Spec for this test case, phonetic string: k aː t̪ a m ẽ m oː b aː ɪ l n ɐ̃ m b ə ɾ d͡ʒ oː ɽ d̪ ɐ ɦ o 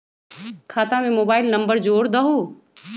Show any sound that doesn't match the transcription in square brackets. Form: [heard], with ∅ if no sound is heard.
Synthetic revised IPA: [kʰ] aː t̪ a m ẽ m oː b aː ɪ l n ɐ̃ m b ə ɾ d͡ʒ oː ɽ d̪ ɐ ɦ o